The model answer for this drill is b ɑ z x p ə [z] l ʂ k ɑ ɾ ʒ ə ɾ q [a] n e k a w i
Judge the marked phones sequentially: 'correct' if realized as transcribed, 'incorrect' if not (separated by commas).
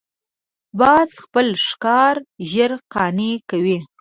incorrect, incorrect